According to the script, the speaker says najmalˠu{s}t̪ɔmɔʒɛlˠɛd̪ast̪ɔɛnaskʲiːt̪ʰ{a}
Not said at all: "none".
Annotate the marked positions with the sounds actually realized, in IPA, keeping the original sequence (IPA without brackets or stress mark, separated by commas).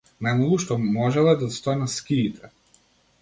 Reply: ʃ, ɛ